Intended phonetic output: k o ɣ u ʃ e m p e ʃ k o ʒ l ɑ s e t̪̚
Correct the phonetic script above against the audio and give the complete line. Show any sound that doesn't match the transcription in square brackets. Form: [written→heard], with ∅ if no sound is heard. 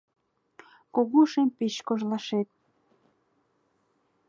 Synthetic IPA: k o ɣ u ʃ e m p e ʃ k o ʒ l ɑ [s→ʃ] e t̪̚